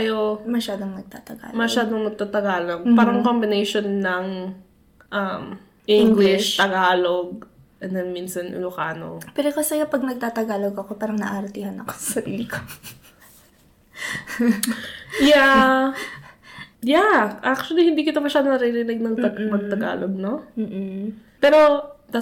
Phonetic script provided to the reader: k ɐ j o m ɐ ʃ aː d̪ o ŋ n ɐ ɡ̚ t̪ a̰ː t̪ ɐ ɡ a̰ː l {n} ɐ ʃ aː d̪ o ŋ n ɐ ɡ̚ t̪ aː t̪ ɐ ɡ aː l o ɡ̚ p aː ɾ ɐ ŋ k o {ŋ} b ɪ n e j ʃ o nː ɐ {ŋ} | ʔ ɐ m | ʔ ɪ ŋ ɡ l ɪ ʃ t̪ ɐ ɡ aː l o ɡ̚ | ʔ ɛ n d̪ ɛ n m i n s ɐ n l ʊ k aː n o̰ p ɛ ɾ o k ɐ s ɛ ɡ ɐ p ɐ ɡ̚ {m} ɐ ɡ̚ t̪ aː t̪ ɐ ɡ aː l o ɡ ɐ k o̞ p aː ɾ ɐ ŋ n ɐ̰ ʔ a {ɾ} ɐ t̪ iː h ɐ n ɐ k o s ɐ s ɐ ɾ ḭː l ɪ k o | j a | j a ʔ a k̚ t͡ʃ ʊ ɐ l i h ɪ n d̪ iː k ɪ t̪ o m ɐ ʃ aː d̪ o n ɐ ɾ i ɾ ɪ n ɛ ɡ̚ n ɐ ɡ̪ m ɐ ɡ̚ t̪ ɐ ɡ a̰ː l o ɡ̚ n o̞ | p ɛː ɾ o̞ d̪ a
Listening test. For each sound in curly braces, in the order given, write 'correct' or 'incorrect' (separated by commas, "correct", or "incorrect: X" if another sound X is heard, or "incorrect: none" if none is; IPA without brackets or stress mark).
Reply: incorrect: m, incorrect: m, correct, incorrect: n, correct